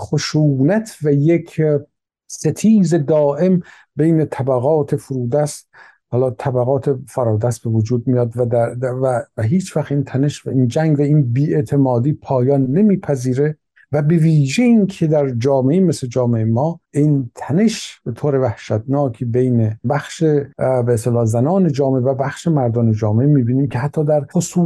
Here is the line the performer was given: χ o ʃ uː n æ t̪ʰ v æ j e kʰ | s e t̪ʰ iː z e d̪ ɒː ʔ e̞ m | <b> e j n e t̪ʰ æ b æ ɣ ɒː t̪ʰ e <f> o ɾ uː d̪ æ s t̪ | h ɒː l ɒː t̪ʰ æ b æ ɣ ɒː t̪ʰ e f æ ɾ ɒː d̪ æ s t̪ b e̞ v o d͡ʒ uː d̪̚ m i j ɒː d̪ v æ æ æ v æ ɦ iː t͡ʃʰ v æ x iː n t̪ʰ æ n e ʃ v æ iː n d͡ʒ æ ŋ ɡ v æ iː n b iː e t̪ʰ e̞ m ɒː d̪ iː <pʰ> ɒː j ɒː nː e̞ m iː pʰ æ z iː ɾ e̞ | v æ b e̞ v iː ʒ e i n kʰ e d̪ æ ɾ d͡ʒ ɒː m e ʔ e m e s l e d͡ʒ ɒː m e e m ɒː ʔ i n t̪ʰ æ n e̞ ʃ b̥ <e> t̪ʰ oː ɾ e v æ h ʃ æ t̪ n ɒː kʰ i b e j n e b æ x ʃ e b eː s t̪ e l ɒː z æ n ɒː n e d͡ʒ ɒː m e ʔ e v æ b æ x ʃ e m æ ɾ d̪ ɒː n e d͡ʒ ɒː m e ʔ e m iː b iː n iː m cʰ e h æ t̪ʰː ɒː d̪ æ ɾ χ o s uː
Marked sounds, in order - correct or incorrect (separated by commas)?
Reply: correct, correct, correct, correct